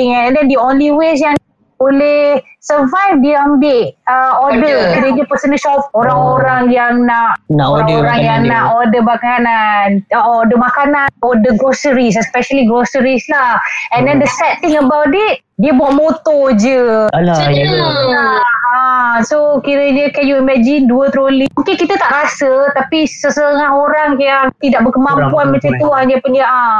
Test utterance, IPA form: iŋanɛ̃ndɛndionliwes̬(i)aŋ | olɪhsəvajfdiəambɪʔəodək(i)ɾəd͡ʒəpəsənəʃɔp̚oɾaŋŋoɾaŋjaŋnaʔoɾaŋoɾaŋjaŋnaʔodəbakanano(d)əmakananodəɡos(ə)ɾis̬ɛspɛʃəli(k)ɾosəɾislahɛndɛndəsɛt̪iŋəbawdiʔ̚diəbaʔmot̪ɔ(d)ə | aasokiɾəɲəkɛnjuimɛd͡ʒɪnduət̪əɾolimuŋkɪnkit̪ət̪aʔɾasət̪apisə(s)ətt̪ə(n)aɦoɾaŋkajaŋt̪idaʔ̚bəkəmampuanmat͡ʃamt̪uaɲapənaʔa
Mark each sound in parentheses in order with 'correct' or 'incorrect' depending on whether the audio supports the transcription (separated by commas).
incorrect, correct, correct, correct, incorrect, incorrect, correct, incorrect